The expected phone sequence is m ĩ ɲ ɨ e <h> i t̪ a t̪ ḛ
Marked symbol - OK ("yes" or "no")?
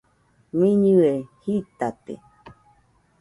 yes